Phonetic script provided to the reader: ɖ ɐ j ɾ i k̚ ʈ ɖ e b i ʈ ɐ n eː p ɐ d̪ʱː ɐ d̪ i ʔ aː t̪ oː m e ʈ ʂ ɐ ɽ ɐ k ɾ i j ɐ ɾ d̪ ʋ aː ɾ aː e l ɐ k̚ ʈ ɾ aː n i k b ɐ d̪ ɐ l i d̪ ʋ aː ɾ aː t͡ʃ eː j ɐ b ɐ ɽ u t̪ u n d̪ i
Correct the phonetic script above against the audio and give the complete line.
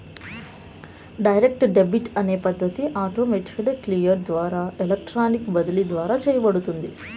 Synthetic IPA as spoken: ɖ ɐ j ɾ e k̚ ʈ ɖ e b i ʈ ɐ n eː p ɐ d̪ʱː ɐ t̪ i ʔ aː t̪ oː m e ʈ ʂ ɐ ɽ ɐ k l i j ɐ ɾ d̪ ʋ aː ɾ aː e l ɐ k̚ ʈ ɾ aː n i k b ɐ d̪ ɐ l i d̪ ʋ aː ɾ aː t͡ʃ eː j ɐ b ɐ ɽ u t̪ u n d̪ i